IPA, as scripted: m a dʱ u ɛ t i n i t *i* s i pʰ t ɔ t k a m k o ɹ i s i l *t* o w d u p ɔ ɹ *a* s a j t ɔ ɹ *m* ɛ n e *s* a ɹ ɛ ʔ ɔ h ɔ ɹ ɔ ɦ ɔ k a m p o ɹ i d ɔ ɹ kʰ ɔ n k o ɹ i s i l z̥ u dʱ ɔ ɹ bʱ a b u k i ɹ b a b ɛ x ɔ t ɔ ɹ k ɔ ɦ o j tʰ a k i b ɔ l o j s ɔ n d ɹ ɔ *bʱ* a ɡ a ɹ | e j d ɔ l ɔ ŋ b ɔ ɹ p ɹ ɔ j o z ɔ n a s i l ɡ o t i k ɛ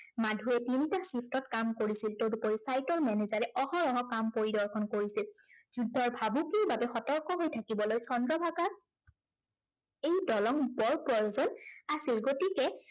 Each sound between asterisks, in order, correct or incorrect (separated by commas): incorrect, correct, incorrect, correct, incorrect, correct